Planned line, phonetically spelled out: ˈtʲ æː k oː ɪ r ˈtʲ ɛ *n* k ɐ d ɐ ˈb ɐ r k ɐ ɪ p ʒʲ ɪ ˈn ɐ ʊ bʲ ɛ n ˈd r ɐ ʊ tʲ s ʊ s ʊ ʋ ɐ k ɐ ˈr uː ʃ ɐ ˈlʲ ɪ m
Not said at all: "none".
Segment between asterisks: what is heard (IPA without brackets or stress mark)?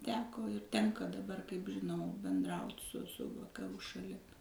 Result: ŋ